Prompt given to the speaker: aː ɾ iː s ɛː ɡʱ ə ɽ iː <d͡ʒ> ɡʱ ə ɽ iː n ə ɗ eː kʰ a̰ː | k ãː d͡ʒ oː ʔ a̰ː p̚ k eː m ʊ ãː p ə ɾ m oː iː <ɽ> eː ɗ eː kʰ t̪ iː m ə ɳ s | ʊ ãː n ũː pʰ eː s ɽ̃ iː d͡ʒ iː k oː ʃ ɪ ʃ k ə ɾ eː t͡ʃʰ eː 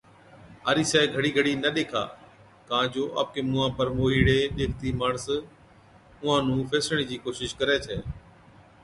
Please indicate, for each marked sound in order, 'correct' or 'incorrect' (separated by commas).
incorrect, correct